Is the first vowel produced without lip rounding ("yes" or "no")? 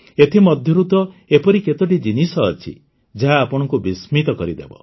yes